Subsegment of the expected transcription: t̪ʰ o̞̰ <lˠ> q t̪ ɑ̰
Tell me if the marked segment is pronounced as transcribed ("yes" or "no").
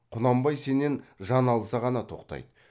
no